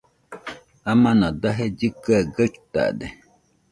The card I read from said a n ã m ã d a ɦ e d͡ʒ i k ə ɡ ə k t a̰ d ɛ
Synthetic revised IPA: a m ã n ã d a ɦ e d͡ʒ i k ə ɡ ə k t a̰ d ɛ